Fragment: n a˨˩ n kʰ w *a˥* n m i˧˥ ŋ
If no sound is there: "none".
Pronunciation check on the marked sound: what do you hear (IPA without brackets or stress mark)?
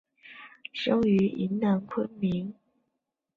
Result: ə˥